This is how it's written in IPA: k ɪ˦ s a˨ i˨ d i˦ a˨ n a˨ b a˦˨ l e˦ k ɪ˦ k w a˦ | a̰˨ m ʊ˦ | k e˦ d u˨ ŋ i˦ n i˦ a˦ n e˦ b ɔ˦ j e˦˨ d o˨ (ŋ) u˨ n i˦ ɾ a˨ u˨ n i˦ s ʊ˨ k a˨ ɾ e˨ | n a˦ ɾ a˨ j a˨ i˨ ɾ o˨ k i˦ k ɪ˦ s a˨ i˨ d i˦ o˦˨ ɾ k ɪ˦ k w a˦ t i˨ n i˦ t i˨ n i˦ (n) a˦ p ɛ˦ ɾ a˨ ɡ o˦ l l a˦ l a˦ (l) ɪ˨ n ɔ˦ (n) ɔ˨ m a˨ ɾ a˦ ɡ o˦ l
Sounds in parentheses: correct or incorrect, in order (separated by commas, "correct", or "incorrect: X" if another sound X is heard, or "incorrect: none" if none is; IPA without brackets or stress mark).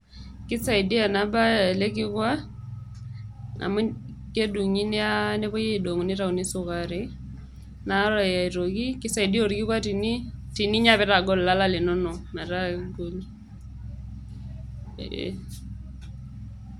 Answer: correct, incorrect: ɲ, correct, correct